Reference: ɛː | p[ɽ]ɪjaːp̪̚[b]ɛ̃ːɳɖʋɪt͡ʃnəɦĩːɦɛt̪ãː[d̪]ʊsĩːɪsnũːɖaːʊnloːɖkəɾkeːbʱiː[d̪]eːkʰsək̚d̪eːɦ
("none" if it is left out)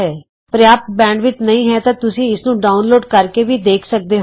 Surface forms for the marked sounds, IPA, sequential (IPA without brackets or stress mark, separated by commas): ɾ, b, t̪, d̪